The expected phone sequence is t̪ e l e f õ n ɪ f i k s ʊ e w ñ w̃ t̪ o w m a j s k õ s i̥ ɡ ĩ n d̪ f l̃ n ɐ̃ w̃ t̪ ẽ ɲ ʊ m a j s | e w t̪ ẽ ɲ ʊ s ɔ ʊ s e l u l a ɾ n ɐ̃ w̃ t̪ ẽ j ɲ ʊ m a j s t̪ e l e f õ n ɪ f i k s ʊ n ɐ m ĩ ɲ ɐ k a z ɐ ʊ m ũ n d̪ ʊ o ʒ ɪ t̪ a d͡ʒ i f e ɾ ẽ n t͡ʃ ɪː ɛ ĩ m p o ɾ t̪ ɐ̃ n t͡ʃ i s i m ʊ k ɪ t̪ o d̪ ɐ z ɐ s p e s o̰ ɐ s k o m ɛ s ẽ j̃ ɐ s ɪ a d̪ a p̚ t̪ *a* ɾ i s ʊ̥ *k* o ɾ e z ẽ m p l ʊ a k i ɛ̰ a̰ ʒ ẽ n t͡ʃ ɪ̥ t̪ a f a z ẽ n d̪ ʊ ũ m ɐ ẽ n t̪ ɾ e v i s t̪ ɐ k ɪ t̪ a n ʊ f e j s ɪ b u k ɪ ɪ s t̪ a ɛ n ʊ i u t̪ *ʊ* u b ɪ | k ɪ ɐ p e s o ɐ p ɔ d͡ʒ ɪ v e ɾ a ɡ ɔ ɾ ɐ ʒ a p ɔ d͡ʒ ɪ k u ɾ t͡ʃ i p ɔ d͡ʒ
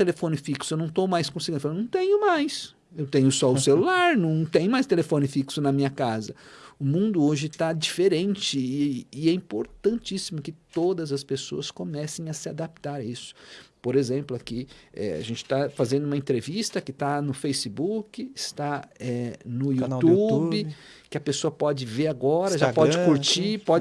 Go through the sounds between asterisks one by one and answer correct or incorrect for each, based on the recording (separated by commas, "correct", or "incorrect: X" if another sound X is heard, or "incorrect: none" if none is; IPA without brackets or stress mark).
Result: correct, incorrect: p, incorrect: u